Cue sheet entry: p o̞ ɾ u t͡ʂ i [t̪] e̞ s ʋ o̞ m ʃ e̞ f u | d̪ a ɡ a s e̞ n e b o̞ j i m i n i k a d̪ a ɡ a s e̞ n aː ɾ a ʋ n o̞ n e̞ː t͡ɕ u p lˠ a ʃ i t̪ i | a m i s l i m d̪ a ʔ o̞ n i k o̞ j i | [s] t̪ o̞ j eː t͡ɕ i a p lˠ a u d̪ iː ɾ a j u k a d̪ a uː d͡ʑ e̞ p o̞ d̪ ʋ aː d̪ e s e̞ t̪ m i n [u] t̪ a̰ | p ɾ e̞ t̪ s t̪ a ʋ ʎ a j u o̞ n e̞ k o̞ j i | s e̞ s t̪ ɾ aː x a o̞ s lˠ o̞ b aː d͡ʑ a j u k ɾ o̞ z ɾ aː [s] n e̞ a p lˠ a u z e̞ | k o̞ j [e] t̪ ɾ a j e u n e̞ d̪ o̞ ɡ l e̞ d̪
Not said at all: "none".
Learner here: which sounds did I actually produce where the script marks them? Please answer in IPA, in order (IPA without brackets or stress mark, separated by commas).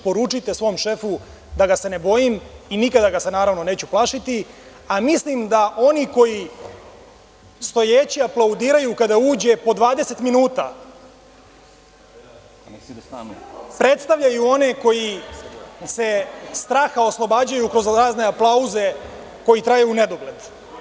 t̪, s, uː, z, i